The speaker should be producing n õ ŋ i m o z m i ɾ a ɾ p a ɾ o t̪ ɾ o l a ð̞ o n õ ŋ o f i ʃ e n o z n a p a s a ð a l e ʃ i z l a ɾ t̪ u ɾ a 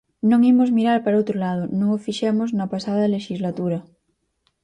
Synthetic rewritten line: n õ ŋ i m o z m i ɾ a ɾ p a ɾ o t̪ ɾ o l a ð̞ o n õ ŋ o f i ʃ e m o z n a p a s a ð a l e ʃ i z l a t̪ u ɾ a